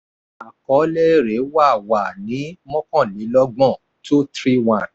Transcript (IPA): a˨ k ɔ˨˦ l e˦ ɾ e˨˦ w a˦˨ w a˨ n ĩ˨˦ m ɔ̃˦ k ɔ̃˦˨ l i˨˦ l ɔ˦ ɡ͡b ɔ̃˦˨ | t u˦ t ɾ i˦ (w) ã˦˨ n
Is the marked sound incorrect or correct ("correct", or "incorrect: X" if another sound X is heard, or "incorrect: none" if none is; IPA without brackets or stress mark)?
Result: correct